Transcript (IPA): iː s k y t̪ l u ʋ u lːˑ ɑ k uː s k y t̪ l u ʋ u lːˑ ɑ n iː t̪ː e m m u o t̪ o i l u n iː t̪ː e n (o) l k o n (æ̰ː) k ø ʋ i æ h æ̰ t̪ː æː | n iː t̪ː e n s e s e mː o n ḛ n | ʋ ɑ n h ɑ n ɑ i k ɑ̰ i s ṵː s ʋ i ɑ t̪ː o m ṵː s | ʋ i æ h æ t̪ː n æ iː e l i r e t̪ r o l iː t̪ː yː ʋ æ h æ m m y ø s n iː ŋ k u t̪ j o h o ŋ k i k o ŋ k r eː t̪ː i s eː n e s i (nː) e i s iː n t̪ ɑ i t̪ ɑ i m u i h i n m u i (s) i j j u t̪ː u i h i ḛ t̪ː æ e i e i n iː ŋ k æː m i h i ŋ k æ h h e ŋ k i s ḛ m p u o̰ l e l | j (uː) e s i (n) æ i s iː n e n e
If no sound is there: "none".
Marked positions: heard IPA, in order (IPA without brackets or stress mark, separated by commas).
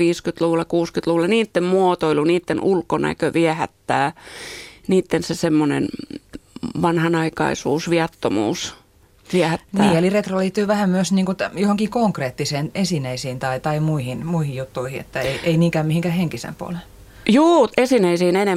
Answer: u, æ̰, n, h, uː, n